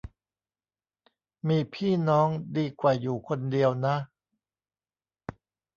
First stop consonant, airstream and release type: aspirated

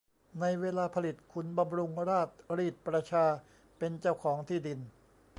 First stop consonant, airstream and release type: aspirated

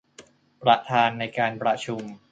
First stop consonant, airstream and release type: plain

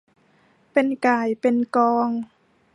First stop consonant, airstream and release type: plain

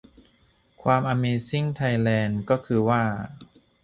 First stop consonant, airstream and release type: aspirated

